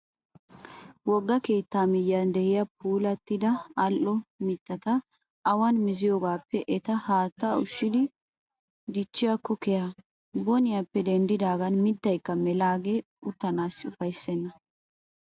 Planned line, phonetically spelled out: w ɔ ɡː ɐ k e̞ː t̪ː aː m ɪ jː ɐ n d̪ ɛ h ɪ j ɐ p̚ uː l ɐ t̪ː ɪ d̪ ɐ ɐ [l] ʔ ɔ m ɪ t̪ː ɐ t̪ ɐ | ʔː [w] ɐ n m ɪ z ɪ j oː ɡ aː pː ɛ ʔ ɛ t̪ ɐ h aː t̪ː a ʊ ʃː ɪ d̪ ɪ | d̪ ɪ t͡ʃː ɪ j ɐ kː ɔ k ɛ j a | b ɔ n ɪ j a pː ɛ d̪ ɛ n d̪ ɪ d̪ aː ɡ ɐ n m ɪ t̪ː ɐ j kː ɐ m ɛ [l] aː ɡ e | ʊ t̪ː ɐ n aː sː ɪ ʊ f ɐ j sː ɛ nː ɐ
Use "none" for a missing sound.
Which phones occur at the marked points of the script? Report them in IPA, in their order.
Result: l, w, l

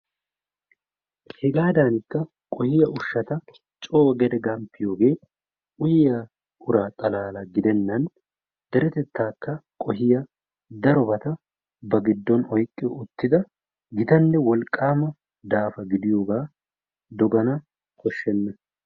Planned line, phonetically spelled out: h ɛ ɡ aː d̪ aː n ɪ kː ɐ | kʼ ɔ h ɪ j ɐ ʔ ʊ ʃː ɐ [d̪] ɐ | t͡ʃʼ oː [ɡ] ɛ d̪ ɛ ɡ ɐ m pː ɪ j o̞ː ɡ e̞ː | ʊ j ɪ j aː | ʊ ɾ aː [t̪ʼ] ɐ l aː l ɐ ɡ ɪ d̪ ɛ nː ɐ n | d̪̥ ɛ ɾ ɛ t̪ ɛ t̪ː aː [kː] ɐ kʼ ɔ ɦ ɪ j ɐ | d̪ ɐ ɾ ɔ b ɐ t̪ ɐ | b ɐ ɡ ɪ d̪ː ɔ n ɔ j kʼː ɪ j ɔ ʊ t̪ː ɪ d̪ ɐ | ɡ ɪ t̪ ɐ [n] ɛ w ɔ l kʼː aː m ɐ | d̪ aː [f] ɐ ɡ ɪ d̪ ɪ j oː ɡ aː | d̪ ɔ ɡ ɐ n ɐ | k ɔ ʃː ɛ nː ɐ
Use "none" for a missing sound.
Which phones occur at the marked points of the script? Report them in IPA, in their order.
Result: t̪, ɡ, t̪ʼ, kː, nː, f

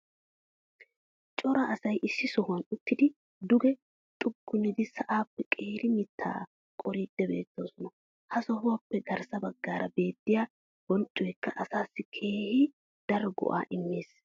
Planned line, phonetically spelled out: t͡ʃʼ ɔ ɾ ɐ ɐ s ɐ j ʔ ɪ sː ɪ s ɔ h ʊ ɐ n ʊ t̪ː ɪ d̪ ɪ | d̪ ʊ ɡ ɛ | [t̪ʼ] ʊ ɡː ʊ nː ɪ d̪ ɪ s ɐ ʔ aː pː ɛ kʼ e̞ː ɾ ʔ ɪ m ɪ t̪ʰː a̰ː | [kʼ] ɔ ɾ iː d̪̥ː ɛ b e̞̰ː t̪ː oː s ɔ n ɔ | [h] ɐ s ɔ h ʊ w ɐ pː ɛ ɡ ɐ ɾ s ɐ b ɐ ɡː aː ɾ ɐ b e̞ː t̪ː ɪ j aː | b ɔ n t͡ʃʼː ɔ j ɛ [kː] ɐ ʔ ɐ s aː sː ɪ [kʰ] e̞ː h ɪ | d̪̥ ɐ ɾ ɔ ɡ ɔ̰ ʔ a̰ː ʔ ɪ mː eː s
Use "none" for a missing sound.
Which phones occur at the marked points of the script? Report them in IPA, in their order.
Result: t̪ʼ, kʼ, h, kː, kʰ

